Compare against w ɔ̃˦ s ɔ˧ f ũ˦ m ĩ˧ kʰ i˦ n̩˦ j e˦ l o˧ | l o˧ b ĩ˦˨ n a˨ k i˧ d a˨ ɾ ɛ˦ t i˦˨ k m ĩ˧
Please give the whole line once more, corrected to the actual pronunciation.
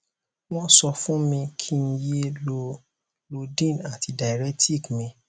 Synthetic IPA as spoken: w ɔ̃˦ s ɔ˧ f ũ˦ m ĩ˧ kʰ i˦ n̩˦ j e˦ l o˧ | l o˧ d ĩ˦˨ n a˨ t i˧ d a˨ ɾ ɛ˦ t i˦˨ k m ĩ˧

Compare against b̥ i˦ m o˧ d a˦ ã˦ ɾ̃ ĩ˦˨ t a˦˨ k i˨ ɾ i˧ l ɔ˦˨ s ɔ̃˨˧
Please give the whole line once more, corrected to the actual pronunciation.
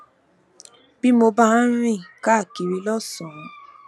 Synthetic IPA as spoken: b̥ i˦ m o˧ b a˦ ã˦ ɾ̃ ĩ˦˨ k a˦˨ k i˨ ɾ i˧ l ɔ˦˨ s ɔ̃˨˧

